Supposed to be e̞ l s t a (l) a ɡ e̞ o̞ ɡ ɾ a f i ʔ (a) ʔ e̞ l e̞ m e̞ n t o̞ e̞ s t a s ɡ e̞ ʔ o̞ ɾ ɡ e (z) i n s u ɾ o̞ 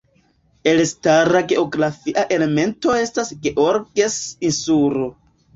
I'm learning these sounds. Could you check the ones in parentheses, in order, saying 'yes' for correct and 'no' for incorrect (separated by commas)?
no, yes, no